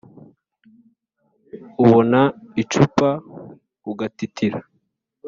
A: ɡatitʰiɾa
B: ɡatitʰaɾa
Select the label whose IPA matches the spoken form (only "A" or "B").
A